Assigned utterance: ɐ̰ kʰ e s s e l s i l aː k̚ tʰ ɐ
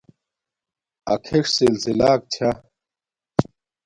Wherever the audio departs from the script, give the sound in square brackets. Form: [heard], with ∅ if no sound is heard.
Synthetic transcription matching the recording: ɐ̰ kʰ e [ʂ] s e l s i l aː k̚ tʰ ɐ